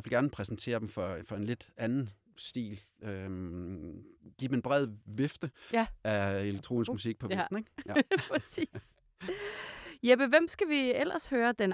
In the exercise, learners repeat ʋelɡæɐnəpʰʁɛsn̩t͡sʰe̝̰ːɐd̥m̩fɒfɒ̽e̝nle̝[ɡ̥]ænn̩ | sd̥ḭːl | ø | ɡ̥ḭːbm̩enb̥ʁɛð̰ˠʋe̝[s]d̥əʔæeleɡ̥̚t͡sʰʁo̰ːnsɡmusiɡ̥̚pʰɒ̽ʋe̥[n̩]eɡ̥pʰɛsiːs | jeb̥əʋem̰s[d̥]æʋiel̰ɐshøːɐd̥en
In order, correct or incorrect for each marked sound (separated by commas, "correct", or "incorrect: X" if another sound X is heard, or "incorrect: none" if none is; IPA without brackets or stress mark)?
incorrect: d̥, incorrect: f, correct, incorrect: ɡ̥